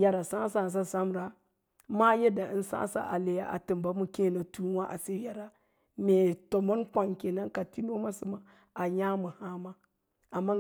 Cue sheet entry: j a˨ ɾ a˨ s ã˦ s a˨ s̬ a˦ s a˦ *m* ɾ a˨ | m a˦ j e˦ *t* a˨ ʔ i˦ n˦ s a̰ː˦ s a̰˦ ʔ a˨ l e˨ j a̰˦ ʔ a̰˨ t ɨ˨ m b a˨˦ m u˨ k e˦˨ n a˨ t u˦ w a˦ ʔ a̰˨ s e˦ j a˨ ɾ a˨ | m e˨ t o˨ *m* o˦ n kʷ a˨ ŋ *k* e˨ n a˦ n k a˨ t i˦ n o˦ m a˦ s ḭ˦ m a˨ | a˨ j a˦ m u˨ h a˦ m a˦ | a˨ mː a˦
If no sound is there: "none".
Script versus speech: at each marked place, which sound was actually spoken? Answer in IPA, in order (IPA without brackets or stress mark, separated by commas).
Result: m, d, m, k